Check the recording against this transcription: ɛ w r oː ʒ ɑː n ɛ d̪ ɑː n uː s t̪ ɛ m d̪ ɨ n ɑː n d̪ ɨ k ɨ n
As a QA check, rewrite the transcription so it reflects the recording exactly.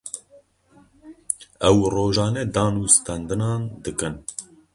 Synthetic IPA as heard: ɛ w r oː ʒ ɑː n ɛ d̪ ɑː n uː s t̪ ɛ n d̪ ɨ n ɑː n d̪ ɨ k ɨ n